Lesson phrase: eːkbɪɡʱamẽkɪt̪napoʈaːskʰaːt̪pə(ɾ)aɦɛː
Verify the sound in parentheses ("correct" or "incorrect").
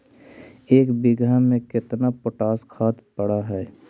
incorrect